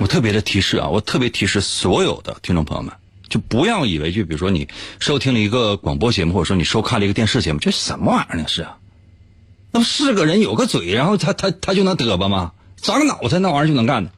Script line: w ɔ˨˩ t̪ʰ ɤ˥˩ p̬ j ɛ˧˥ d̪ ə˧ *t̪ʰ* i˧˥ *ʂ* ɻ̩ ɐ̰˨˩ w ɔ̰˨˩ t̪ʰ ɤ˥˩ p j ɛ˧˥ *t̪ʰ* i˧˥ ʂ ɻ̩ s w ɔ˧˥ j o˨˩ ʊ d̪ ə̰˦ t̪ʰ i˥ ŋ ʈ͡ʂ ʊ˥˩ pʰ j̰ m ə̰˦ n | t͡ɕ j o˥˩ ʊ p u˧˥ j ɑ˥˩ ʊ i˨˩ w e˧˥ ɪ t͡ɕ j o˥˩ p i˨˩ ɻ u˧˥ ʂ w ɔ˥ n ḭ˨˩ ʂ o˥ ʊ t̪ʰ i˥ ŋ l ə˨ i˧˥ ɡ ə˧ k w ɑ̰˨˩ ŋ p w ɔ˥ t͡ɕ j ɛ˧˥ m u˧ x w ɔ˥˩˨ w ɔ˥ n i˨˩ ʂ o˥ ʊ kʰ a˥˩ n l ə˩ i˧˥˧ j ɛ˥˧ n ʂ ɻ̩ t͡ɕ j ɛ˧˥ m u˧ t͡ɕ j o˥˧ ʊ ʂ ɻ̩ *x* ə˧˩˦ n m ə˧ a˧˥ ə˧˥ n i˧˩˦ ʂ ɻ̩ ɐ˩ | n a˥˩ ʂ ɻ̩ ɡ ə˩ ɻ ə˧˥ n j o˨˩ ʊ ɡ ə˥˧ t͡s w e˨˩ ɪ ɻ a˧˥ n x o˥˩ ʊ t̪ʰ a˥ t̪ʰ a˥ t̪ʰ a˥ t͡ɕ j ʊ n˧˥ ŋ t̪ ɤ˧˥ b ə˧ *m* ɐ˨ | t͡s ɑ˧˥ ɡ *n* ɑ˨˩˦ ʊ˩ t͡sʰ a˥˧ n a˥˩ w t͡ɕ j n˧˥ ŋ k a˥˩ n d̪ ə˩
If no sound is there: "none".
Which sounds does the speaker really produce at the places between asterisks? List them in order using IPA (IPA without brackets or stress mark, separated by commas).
t̪ʰ, ʂ, t̪ʰ, ʂ, m, n